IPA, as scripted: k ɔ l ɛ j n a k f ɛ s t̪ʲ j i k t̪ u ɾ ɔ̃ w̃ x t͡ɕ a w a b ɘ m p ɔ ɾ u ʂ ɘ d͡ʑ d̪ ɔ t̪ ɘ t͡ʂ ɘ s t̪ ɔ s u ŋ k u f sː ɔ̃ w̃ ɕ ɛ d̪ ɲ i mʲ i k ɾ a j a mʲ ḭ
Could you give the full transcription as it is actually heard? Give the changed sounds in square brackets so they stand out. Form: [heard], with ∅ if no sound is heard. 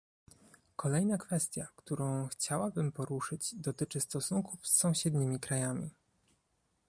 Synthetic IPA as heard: k ɔ l ɛ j n a k f ɛ s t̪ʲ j [a] k t̪ u ɾ ɔ̃ w̃ x t͡ɕ a w a b ɘ m p ɔ ɾ u ʂ ɘ d͡ʑ d̪ ɔ t̪ ɘ t͡ʂ ɘ s t̪ ɔ s u ŋ k u f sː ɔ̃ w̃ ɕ ɛ d̪ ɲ i mʲ i k ɾ a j a mʲ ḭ